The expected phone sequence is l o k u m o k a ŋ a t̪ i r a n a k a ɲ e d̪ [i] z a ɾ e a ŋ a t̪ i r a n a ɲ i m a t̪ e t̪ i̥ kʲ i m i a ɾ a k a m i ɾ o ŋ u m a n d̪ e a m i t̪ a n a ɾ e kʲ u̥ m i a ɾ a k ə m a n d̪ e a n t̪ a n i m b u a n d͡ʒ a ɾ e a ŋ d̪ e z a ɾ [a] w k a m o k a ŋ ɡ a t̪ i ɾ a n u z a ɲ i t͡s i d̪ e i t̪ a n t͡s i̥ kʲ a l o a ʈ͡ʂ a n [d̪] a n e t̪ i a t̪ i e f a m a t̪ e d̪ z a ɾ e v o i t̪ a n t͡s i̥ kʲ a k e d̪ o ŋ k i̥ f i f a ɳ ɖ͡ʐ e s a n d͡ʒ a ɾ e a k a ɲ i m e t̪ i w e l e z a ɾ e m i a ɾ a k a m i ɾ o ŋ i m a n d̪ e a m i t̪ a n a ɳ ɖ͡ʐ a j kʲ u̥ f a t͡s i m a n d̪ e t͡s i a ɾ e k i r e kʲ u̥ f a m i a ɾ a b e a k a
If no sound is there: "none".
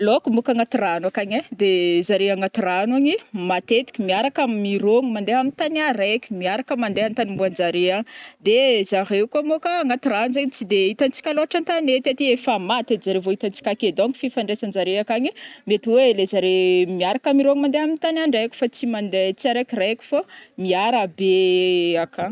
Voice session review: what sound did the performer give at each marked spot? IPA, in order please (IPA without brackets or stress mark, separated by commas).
e, e, t̪